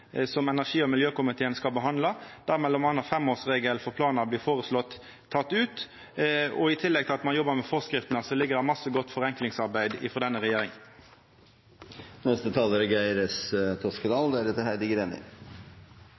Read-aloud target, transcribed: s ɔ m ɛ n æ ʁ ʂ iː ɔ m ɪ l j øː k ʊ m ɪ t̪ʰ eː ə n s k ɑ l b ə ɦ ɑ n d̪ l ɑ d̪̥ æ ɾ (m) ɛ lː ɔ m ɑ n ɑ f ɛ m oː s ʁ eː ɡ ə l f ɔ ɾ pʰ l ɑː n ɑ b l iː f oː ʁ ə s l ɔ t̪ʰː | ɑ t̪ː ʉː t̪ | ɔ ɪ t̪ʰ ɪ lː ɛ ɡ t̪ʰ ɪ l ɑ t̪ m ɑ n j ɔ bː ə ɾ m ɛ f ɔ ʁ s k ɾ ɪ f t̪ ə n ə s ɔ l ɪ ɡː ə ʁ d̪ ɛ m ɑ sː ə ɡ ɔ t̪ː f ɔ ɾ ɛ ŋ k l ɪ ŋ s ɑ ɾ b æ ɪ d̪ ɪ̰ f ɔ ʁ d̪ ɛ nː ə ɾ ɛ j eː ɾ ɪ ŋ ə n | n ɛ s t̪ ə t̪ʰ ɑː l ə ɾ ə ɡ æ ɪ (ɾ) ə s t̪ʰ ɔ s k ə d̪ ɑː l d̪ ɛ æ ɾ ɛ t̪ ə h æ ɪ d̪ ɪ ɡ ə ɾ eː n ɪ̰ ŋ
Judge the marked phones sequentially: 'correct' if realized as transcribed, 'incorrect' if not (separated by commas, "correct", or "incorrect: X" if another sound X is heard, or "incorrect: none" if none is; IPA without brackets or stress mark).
correct, correct